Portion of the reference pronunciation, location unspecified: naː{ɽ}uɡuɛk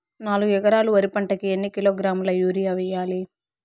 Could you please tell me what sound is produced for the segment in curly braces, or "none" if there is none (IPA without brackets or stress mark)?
l